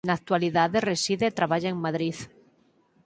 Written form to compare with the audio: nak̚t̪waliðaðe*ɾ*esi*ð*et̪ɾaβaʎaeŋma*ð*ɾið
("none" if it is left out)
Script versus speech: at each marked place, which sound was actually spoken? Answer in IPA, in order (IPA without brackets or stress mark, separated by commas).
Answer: r, ð, ð